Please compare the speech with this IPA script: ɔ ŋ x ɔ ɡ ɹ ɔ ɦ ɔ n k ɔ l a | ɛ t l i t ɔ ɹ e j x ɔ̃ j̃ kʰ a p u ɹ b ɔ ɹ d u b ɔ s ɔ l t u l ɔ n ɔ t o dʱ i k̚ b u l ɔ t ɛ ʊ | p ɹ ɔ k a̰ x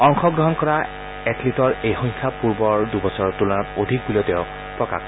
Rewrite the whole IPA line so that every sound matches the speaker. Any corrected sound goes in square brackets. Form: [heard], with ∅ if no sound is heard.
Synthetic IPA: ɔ ŋ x ɔ ɡ ɹ ɔ ɦ ɔ n k ɔ [ɹ] a | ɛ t l i t ɔ ɹ e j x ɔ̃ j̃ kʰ a p u ɹ b ɔ ɹ d u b ɔ s ɔ [ɹ] t u l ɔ n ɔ t o dʱ i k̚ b u l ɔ t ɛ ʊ | p ɹ ɔ k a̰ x